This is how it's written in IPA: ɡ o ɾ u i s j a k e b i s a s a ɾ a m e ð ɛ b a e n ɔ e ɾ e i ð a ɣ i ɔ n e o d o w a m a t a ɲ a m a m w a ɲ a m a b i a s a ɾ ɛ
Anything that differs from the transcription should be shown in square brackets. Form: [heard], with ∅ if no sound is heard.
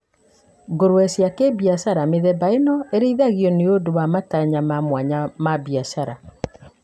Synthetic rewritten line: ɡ o ɾ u [ɛ] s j a k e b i [∅] a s a ɾ a m e ð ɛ b a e n ɔ e ɾ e i ð a ɣ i ɔ n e o d o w a m a t a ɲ a m a m w a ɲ a m a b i a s a ɾ [a]